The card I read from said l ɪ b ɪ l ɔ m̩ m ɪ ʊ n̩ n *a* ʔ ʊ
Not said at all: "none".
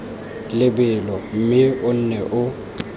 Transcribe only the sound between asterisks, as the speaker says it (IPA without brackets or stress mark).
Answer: ɛ